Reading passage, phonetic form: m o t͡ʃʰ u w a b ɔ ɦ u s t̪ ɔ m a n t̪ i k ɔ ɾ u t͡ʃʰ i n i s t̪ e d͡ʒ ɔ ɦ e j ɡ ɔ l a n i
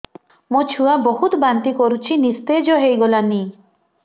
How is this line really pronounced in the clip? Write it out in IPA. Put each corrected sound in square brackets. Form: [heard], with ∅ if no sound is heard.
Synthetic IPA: m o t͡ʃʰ u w a b ɔ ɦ u [∅] t̪ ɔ [b] a n t̪ i k ɔ ɾ u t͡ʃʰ i n i s t̪ e d͡ʒ ɔ ɦ e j ɡ ɔ l a n i

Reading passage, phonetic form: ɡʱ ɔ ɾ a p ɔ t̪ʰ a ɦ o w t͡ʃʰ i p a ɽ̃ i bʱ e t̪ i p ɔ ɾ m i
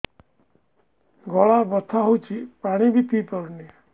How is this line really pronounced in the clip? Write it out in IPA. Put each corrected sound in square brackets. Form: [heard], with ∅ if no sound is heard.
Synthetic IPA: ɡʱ ɔ [ɭ] a [b] ɔ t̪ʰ a ɦ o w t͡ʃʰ i p a ɽ̃ i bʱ [i] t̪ i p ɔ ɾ [n] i

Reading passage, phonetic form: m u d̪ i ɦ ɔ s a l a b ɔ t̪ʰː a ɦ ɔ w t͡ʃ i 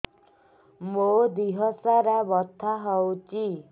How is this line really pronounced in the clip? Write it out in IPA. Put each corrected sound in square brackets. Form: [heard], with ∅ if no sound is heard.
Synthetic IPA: m [o] d̪ i ɦ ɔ s a [ɾ] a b ɔ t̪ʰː a ɦ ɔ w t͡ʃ i

